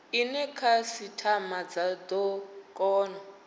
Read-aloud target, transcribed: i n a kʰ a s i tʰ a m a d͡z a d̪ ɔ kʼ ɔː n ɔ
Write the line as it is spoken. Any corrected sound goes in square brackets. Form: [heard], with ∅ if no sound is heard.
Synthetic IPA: i n [ɛ] kʰ a s i tʰ a m a d͡z a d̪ ɔ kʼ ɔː n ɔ